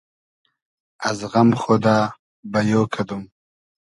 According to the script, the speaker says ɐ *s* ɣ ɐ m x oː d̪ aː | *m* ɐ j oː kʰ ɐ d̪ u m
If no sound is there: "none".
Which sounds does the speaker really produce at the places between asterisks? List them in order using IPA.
z, b

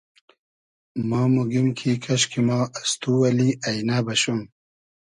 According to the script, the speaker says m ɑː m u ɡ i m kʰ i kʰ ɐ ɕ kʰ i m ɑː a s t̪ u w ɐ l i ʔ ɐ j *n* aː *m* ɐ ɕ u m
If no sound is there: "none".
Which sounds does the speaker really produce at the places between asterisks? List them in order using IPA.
n, b

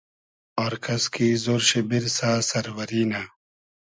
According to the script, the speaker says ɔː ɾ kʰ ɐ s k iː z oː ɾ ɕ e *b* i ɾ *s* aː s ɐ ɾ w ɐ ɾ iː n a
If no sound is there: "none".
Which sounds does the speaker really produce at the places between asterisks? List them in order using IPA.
b, s

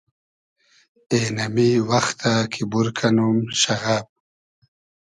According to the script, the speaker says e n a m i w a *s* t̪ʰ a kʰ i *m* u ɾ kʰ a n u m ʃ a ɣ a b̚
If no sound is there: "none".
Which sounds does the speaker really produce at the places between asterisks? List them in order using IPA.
x, b

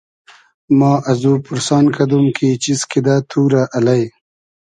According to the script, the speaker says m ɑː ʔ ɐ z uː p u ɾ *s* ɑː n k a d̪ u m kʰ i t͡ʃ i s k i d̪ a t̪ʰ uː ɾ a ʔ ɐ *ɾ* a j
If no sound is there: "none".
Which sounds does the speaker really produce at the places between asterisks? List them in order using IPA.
s, l

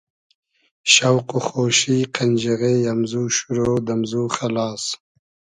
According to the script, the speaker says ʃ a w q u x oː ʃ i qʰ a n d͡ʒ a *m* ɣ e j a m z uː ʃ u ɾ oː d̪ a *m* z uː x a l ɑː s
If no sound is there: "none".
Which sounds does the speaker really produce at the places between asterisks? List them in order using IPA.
none, m

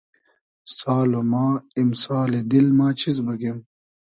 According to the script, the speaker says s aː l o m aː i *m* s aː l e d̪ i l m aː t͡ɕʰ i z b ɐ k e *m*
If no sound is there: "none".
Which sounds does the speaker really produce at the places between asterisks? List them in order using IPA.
m, m

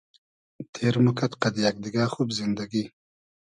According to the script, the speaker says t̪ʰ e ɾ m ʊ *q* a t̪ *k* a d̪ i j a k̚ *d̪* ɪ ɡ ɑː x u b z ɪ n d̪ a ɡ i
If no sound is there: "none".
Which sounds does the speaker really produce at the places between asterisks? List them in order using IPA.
k, q, d̪

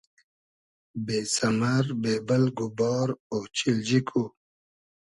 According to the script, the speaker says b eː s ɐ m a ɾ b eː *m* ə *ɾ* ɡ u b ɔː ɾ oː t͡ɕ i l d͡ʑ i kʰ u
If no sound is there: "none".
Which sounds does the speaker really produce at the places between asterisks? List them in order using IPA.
b, l

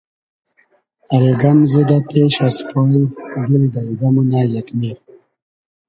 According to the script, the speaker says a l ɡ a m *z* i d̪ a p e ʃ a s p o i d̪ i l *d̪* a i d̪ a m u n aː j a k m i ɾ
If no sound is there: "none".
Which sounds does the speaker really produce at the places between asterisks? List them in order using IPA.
z, d̪

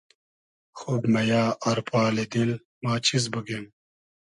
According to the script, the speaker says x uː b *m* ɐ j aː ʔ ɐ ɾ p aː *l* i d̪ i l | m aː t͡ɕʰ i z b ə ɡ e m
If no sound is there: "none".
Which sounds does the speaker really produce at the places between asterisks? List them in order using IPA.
m, l

